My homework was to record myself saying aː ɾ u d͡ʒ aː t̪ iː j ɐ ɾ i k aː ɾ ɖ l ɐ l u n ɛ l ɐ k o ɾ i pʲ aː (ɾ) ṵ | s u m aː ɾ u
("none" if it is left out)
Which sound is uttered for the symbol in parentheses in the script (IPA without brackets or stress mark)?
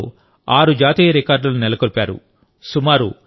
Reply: ɾ